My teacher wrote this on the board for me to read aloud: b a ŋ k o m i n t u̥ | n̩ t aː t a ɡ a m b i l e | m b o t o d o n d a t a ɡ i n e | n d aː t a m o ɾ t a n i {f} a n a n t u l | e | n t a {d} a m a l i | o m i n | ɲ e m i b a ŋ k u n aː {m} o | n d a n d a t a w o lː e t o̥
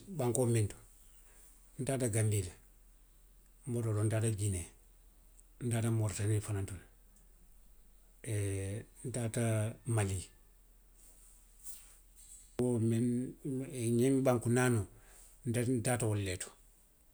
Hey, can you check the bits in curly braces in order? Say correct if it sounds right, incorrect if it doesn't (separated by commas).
correct, incorrect, incorrect